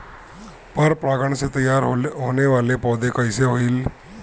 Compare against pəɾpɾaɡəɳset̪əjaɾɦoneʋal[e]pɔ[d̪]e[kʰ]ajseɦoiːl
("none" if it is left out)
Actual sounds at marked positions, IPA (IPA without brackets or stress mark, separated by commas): e, d̪, k